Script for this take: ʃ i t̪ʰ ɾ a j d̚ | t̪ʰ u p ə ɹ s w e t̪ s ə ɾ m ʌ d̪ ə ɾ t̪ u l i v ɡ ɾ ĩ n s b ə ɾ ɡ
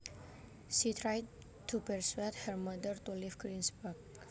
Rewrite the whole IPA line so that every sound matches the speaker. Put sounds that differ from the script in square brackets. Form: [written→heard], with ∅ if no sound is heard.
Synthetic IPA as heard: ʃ i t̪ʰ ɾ a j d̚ | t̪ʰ u p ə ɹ s w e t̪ [s→h] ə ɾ m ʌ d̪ ə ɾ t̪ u l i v ɡ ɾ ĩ n s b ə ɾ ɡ